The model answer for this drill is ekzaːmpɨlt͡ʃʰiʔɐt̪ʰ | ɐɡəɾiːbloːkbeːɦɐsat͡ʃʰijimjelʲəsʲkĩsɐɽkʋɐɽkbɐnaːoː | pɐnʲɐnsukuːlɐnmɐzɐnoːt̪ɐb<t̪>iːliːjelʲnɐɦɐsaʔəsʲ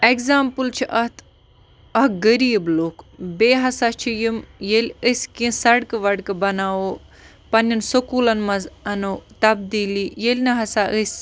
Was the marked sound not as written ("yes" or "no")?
yes